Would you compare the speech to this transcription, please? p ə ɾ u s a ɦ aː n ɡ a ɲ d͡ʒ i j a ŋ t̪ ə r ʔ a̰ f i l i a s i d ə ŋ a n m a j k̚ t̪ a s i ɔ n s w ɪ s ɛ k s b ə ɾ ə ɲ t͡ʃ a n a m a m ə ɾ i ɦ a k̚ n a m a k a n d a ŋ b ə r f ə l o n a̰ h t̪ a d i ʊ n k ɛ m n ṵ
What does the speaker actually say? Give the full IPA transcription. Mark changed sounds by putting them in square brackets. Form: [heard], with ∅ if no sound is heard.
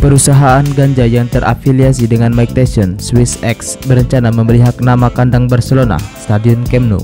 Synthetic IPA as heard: p ə ɾ u s a ɦ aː n ɡ a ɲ d͡ʒ [a] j a ŋ t̪ ə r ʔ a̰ f i l i a s i d ə ŋ a n m a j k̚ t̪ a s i ɔ n s w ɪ s ɛ k s b ə ɾ ə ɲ t͡ʃ a n a m [ə] m ə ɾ i ɦ a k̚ n a m a k a n d a ŋ b ə r [s] ə l o n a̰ [s] t̪ a d i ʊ n k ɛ m n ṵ